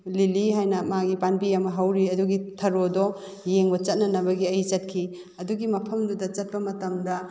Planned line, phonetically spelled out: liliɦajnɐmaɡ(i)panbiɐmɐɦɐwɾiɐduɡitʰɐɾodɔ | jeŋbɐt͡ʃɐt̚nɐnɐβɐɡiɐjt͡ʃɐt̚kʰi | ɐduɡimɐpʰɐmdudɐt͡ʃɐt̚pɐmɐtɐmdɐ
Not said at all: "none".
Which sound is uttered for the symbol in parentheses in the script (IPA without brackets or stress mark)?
i